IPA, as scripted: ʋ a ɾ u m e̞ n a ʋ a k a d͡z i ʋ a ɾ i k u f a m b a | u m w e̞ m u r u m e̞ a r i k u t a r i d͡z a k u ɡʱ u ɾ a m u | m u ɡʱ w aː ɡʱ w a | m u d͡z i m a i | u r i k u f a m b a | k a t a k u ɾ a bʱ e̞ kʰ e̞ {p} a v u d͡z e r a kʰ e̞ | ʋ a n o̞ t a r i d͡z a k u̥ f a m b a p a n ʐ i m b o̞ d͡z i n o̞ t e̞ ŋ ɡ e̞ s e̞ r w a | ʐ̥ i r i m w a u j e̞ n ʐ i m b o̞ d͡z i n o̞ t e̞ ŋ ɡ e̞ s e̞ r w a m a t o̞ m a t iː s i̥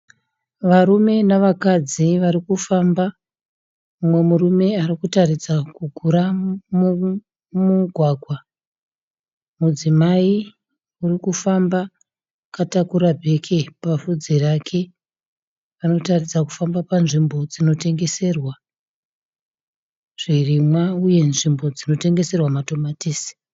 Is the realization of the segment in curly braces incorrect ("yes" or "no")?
no